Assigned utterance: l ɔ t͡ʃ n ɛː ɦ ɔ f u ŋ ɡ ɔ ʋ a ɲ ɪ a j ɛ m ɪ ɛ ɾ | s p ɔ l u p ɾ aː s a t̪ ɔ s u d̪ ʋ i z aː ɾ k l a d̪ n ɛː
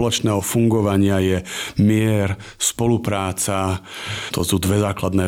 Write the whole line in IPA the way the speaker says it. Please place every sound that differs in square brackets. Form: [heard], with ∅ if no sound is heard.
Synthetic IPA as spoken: l ɔ t͡ʃ n ɛː ɦ ɔ f u ŋ ɡ ɔ ʋ a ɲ ɪ a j ɛ m ɪ ɛ ɾ | s p ɔ l u p ɾ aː [t͡s] a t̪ ɔ s u d̪ ʋ [ɛ] z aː [∅] k l a d̪ n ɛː